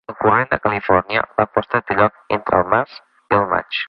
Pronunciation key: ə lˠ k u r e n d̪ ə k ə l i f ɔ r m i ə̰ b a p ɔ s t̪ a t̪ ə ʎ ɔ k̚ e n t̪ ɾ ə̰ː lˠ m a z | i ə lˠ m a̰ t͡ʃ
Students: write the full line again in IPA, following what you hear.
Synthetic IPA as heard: ə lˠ k u r e n d̪ ə k ə l i f ɔ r n i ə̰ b a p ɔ s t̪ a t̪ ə ʎ ɔ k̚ e n t̪ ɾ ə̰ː lˠ m a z | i ə lˠ m a̰ t͡ʃ

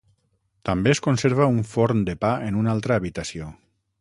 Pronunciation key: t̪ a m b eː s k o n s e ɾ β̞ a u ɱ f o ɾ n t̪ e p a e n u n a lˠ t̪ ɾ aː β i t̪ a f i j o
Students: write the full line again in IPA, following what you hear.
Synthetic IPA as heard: t̪ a m b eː s k o n s e ɾ β̞ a u ɱ f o ɾ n d̪ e p a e n u n a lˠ t̪ ɾ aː β i t̪ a s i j o

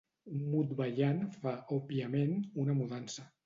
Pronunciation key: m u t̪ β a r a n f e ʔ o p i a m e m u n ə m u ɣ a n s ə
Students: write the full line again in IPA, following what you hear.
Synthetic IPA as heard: m u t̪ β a ʎ a n f a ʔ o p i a m e n u n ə m u ð a n s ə

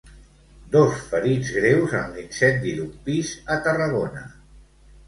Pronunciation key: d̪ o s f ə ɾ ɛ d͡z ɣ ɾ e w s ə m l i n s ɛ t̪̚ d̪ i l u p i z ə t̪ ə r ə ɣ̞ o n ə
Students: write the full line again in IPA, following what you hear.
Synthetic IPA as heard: d̪ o s f ə ɾ i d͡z ɣ ɾ e w z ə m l i n s ɛ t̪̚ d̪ i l u p i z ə t̪ ə r ə ɣ̞ o n ə

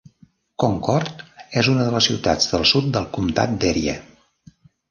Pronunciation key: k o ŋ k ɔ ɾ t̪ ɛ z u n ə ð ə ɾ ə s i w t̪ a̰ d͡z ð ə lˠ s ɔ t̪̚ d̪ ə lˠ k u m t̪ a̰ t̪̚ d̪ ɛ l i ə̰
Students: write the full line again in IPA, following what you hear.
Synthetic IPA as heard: k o ŋ k ɔ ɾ t̪ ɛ z u n ə ð ə l ə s i w t̪ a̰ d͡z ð ə lˠ s u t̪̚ d̪ ə lˠ k u m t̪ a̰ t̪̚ d̪ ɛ ɾ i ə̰

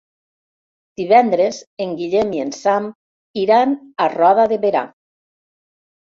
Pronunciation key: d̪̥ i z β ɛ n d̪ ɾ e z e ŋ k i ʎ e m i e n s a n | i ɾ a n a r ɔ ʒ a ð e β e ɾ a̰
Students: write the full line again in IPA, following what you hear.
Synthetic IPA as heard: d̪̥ i β ɛ n d̪ ɾ e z e ŋ ɡ i ʎ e m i e n s a m | i ɾ a n a r ɔ ð a ð e β e ɾ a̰

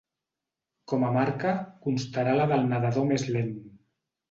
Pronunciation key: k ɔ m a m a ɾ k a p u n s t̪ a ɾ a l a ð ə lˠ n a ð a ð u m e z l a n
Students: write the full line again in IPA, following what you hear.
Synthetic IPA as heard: k ɔ m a m a ɾ k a k u n s t̪ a ɾ a l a ð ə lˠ n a ð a ð o m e z l e n

